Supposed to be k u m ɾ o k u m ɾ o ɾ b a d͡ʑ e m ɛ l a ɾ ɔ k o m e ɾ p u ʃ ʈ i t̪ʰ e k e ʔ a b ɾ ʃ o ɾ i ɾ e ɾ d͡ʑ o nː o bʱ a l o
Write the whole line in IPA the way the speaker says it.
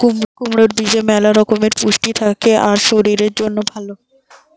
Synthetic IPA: k u m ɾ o k u m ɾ o ɾ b i d͡ʑ e m ɛ l a ɾ ɔ k o m e ɾ p u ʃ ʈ i t̪ʰ a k e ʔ a ɾ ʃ o ɾ i ɾ e ɾ d͡ʑ o nː o bʱ a l o